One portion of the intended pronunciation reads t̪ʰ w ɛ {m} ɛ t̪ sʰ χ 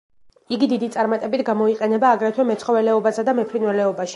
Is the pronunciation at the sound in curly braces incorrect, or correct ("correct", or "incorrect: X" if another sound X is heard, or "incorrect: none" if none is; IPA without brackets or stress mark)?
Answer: correct